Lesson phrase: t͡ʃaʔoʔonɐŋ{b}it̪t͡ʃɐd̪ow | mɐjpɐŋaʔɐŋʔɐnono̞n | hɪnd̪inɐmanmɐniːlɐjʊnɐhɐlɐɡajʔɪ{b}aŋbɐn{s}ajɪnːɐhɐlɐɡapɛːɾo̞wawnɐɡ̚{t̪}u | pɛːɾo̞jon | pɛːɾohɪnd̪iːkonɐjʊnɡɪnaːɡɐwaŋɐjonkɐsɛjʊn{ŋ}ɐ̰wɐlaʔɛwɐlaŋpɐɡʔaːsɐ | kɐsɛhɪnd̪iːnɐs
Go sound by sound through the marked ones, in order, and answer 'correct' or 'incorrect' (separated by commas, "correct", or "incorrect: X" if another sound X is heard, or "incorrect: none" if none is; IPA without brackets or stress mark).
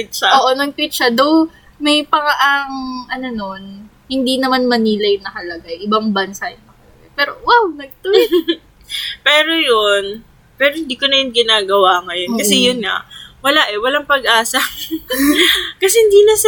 incorrect: p, correct, correct, correct, correct